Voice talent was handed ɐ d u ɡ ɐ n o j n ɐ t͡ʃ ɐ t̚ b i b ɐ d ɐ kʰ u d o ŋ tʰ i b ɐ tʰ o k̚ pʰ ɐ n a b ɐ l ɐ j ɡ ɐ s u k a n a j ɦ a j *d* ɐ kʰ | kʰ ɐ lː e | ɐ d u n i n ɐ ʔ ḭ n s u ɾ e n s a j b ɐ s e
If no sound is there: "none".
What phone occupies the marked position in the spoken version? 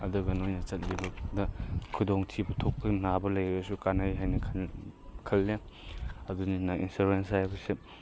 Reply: n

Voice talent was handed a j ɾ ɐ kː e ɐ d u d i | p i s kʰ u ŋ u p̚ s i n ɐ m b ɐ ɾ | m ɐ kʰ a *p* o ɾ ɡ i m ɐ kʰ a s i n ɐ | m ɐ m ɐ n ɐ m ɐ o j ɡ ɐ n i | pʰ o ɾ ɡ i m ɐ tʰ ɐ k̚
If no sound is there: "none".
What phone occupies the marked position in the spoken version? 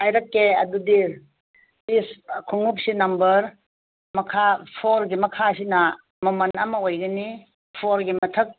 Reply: pʰ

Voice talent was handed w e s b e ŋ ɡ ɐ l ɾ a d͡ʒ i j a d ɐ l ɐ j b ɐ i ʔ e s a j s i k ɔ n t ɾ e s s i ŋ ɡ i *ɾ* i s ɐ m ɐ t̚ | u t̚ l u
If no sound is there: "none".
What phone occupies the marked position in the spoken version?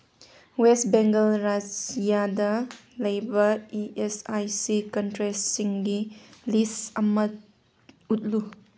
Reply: l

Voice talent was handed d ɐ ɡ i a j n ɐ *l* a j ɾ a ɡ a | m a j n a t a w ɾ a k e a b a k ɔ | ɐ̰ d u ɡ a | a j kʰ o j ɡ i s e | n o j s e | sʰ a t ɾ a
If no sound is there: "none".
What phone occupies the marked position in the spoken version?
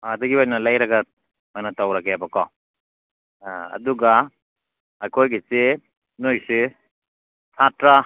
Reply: l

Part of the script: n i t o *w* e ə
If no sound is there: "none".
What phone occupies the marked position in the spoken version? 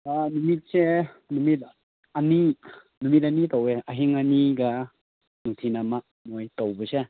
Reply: w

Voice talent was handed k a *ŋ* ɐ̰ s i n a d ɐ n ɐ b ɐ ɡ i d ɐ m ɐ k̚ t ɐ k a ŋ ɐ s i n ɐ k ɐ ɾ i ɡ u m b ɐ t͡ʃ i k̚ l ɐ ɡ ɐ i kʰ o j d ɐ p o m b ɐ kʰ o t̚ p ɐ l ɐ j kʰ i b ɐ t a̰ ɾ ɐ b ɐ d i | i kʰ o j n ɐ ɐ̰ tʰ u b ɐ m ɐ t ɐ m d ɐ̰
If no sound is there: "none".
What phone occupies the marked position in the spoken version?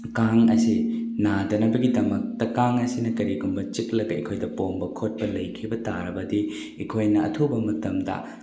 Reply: ŋ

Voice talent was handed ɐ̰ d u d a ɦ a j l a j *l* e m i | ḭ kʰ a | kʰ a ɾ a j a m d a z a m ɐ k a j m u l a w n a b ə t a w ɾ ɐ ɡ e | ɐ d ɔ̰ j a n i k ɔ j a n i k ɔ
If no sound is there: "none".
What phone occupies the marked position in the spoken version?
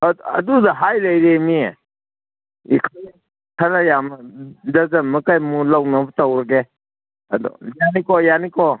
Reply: ɾ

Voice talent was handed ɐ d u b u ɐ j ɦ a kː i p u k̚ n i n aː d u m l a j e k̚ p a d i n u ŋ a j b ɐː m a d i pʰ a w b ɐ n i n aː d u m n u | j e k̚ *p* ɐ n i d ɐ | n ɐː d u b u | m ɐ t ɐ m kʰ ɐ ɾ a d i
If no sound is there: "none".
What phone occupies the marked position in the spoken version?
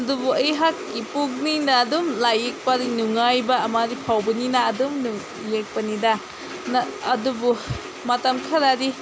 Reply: p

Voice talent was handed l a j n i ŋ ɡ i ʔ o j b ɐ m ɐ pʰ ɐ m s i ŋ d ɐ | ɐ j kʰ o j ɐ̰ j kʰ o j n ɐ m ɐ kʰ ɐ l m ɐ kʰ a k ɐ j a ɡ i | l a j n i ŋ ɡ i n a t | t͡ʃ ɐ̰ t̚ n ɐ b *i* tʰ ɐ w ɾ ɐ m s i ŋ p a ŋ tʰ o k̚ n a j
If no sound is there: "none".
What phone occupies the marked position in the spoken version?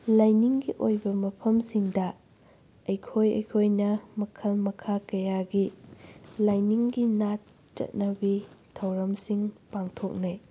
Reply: i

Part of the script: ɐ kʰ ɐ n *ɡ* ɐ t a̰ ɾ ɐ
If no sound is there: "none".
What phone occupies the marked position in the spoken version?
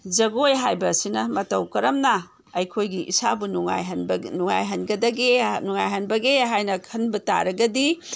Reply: b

